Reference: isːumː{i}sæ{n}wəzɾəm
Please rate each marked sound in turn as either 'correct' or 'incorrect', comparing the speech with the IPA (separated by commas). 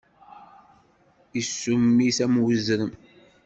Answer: correct, incorrect